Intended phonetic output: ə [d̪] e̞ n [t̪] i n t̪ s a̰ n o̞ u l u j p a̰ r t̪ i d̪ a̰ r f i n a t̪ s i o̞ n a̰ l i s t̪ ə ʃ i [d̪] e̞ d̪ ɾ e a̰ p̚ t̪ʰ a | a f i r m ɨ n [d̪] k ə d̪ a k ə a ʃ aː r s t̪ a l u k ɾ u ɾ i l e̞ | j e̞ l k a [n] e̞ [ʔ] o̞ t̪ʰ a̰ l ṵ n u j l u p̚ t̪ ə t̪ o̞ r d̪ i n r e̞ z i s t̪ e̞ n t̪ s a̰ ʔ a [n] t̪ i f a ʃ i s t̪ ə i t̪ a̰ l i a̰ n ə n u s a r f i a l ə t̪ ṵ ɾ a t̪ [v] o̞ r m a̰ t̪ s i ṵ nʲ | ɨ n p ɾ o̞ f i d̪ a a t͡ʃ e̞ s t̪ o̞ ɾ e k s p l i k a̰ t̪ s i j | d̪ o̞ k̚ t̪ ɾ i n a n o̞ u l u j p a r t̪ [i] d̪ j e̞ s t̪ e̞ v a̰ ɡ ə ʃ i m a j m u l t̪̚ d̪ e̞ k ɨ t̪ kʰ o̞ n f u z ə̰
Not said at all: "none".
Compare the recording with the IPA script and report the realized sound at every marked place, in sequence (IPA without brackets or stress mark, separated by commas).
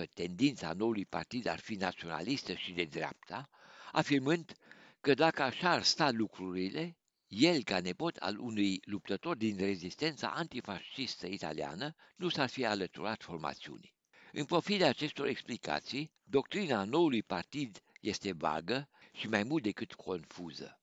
t̪, d̪, d̪, d̪, n, p, n, f, i